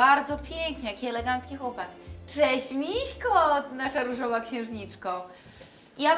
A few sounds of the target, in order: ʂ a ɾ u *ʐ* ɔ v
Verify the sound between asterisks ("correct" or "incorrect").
correct